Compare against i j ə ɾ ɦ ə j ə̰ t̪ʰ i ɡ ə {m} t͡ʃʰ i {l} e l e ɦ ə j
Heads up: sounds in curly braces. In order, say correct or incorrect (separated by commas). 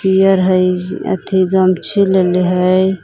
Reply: correct, correct